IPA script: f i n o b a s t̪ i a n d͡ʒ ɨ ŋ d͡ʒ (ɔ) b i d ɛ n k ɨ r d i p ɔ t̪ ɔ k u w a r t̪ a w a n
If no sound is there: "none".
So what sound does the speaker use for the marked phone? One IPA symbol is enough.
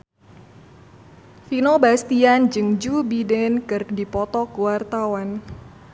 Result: u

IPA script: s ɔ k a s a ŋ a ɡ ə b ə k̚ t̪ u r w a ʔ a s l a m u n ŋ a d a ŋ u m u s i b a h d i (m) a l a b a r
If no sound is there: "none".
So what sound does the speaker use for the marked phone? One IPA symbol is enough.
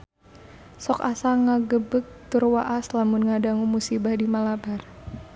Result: m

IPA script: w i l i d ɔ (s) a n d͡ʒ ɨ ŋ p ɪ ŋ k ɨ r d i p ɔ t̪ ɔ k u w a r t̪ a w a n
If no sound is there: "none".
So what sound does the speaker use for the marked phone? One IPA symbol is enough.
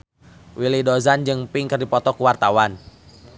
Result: z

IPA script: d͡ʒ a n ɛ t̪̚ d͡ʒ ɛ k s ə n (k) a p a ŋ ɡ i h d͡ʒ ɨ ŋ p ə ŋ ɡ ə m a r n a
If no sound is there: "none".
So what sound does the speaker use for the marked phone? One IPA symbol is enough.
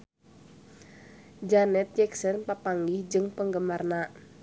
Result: p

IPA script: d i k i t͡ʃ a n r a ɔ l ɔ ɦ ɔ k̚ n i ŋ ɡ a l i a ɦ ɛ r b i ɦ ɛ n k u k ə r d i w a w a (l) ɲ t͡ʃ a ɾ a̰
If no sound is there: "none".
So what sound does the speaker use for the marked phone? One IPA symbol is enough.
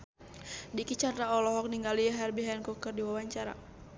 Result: none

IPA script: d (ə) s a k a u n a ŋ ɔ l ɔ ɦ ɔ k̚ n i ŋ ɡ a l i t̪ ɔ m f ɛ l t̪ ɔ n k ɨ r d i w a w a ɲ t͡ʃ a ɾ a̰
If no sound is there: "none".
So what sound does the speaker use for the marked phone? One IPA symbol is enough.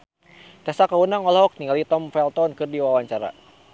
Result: a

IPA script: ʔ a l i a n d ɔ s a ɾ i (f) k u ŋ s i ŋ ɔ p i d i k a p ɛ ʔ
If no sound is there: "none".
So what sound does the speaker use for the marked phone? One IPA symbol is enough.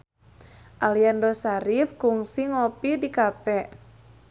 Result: f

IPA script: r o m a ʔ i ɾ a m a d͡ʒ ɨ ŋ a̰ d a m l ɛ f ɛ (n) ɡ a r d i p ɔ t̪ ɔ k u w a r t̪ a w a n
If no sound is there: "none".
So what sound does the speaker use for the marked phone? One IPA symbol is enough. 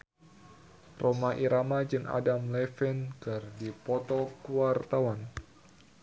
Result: n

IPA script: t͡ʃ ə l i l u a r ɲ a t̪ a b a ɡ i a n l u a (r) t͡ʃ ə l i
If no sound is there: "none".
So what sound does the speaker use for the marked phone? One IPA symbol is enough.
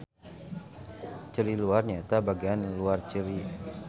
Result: r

